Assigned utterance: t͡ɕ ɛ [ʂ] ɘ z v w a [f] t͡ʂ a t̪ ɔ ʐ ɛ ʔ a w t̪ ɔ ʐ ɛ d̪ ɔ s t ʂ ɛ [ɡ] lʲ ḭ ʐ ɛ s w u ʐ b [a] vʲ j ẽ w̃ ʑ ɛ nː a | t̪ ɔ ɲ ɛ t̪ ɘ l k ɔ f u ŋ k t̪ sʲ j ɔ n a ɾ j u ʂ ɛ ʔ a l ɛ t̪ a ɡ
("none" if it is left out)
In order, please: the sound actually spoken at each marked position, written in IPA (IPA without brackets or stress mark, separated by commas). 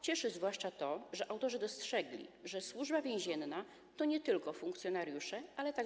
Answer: ʂ, ʂ, ɡ, a